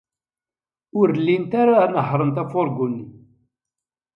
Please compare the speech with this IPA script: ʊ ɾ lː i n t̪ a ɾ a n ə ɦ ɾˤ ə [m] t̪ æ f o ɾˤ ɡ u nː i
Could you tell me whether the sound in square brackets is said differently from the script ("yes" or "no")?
yes